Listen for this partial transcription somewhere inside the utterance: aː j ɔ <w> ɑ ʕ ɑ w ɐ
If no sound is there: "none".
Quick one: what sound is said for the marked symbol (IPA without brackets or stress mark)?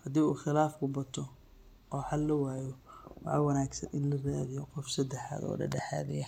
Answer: w